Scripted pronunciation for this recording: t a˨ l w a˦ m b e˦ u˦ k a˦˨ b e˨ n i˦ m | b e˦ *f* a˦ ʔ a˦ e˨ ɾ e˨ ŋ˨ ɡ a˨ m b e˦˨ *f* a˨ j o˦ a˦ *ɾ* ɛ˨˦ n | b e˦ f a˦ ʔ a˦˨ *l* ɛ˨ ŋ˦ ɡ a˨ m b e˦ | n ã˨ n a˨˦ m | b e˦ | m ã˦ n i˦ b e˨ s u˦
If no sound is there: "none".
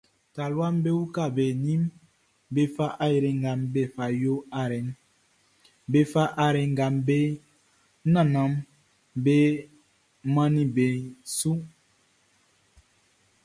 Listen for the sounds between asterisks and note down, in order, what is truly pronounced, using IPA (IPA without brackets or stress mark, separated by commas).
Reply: f, f, ɾ, ɾ